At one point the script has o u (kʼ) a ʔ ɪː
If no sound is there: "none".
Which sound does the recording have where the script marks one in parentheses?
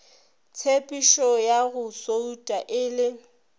tʼ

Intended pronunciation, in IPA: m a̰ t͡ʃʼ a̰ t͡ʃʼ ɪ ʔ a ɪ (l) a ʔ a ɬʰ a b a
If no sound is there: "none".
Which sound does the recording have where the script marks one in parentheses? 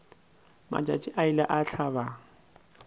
l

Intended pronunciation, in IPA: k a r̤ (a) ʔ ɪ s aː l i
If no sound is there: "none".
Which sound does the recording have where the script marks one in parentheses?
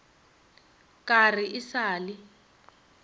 i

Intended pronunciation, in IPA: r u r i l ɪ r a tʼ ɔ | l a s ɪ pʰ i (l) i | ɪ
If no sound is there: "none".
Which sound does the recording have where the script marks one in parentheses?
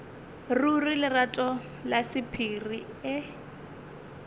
r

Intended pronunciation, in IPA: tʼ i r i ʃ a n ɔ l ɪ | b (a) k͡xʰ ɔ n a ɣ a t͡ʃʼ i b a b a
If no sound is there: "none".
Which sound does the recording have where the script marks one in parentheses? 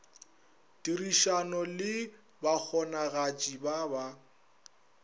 a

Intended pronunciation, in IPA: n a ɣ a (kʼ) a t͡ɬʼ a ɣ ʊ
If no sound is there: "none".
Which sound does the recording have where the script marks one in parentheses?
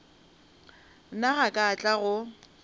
kʼ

